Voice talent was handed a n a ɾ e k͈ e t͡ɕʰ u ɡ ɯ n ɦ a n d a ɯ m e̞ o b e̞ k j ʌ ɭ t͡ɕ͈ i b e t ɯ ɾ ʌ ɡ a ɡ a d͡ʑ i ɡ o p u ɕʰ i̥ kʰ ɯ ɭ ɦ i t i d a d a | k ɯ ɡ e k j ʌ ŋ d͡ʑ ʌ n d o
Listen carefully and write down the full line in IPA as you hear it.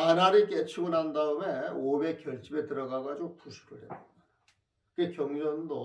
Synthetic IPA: a n a ɾ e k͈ e t͡ɕʰ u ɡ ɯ n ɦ a n d a ɯ m e̞ o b e̞ k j ʌ ɭ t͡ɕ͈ i b e t ɯ ɾ ʌ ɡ a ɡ a d͡ʑ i ɡ o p u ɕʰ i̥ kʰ ɯ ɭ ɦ e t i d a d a | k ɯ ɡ e k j ʌ ŋ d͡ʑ ʌ n d o